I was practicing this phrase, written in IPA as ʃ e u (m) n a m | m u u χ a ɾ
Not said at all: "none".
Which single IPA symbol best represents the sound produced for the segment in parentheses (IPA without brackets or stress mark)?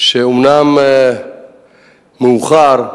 m